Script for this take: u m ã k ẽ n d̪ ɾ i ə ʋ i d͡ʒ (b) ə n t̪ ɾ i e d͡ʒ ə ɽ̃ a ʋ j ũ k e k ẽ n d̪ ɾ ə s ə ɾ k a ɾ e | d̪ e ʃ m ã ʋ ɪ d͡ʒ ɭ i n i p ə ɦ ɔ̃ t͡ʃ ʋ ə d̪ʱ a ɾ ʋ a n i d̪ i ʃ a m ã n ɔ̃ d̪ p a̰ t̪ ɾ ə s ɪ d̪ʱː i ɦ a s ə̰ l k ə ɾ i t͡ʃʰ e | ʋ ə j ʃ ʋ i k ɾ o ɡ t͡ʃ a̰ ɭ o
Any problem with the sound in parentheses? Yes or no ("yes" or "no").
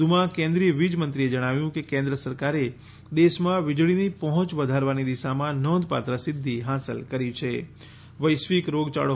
yes